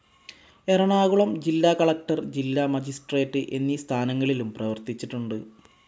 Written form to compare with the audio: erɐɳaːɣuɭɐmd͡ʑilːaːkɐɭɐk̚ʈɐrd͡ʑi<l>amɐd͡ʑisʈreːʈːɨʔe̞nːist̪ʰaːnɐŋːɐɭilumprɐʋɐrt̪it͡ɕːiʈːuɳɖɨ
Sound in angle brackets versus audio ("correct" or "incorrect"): incorrect